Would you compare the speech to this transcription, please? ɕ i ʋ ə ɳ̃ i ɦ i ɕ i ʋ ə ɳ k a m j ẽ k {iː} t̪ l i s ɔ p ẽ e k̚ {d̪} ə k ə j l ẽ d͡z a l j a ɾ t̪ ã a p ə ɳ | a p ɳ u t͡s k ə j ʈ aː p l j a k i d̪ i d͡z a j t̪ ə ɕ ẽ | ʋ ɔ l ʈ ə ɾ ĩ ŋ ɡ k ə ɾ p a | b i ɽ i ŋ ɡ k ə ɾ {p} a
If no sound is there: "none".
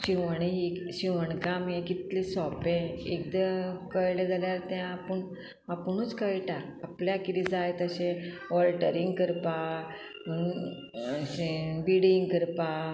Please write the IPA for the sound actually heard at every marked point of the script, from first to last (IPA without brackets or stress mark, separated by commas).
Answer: i, d̪, p